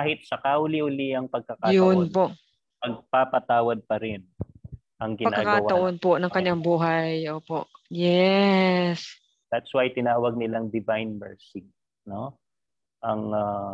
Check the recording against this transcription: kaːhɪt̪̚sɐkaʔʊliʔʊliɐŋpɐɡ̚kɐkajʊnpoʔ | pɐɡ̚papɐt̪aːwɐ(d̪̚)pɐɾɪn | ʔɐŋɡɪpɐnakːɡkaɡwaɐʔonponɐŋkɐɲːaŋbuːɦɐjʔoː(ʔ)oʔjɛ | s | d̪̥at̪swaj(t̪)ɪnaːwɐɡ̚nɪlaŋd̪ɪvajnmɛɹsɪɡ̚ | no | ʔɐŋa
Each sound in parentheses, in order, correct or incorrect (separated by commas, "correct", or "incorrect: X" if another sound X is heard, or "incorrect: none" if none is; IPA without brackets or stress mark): correct, incorrect: p, correct